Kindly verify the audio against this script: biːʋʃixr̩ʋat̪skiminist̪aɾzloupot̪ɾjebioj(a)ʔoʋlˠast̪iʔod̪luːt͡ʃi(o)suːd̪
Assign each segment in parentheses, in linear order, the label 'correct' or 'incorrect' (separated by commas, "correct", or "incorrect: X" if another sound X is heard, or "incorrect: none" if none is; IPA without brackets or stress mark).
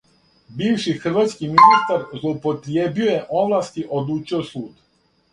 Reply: incorrect: e, correct